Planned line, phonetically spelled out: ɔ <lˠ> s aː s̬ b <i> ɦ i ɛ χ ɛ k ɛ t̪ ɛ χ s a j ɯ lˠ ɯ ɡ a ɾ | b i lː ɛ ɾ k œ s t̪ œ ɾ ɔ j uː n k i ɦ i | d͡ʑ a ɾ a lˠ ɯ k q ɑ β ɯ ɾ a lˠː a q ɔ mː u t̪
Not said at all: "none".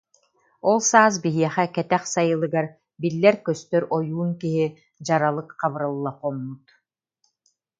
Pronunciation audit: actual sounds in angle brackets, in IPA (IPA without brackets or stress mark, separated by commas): lˠ, i